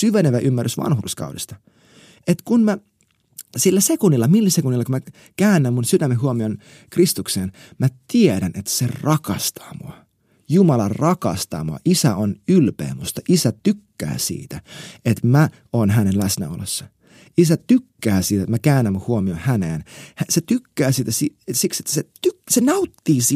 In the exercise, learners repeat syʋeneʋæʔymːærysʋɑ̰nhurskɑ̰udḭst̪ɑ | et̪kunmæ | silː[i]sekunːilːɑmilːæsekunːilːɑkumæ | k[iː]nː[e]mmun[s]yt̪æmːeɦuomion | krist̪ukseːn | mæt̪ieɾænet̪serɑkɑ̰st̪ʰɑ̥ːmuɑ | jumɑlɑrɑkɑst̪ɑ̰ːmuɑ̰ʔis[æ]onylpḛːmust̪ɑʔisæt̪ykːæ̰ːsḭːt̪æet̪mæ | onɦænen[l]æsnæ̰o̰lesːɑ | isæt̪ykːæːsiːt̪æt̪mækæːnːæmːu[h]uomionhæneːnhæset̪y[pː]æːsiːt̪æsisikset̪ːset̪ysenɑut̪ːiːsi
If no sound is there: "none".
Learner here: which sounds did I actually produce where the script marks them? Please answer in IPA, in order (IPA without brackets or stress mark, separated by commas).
æ, æː, æ, s, æ, l, h, kː